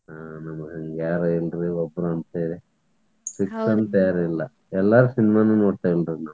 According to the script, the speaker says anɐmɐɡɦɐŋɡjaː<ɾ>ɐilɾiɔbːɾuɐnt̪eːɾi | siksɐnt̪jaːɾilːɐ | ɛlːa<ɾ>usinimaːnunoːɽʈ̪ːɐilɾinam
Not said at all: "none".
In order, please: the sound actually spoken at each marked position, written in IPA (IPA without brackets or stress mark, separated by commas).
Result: ɾ, ɾ